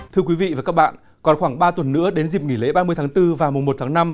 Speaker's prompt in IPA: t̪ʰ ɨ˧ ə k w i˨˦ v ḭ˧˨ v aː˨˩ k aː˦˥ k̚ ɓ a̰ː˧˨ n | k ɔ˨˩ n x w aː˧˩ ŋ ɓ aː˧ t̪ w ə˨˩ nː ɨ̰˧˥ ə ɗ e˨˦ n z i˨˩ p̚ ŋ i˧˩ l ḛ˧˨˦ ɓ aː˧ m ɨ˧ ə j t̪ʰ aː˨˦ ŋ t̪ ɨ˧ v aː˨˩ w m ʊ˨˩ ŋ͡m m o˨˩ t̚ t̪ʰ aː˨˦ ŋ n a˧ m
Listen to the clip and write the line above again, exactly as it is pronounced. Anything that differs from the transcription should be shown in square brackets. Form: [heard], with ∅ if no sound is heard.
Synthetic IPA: t̪ʰ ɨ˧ ə k w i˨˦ v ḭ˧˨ v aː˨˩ k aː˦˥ k̚ ɓ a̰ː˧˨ n | k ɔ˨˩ n x w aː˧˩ ŋ ɓ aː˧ t̪ w ə˨˩ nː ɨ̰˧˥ ə ɗ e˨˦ n z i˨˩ p̚ ŋ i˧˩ l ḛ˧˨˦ ɓ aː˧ m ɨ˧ ə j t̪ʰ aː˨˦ ŋ t̪ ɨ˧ v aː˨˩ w m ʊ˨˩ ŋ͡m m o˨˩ t̚ t̪ʰ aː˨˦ ŋ n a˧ m